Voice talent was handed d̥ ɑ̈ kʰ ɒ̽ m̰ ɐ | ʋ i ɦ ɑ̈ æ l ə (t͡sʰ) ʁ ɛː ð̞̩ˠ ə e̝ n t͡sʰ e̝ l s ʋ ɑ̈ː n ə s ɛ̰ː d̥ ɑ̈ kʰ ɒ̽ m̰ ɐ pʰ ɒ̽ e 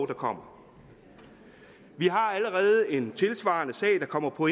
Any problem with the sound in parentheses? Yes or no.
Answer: yes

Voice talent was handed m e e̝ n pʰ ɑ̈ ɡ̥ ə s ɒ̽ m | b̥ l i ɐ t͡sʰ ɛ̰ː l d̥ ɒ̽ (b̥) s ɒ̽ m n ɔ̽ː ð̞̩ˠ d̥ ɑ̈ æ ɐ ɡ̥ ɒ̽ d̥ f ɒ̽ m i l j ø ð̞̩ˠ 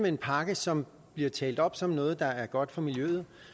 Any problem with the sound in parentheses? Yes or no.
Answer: no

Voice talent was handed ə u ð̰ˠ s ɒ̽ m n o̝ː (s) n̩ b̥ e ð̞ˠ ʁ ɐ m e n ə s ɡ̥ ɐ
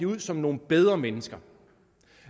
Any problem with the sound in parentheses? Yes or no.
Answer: yes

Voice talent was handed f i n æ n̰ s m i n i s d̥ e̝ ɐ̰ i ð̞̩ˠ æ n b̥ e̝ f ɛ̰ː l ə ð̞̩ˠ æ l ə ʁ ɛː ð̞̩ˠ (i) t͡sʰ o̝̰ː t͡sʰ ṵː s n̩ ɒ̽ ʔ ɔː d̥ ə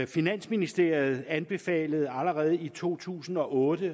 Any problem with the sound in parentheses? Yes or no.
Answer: no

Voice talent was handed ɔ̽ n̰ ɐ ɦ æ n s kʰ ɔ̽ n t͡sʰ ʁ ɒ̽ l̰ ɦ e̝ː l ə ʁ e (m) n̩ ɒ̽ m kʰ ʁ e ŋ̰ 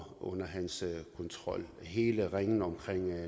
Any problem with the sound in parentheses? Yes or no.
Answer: yes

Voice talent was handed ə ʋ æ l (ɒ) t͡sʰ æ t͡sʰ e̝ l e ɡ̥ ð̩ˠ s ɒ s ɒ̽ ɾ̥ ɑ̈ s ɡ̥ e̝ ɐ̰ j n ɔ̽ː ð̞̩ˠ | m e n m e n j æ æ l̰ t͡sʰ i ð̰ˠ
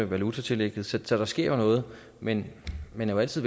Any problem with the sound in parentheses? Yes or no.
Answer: yes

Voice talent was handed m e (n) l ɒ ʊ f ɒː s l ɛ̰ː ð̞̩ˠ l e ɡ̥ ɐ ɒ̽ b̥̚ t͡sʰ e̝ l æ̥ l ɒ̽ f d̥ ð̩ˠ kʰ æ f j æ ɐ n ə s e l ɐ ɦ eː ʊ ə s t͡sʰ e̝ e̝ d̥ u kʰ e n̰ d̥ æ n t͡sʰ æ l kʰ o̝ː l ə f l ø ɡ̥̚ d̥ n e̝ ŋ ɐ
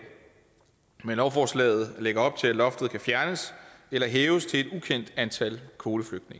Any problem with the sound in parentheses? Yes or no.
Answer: no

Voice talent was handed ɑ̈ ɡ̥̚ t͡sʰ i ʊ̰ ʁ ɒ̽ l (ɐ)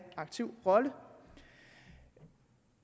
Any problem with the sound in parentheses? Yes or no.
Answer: yes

